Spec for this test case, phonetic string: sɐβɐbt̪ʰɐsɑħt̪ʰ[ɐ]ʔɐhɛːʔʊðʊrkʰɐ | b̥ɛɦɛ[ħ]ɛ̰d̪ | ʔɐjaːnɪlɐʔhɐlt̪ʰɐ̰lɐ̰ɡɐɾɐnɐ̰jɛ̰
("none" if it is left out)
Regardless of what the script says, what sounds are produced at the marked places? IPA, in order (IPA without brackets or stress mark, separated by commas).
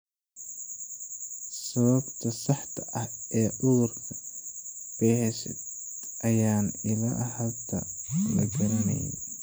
ɐ, ʃ